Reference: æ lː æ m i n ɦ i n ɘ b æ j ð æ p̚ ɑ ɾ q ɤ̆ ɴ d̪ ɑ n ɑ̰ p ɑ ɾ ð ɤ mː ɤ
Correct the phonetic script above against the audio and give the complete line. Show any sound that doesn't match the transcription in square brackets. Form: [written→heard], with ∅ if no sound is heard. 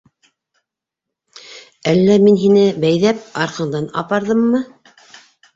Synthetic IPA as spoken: æ lː æ m i n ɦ i n ɘ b æ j ð æ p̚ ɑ ɾ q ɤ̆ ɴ d̪ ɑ n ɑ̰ p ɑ ɾ ð ɤ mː ɤ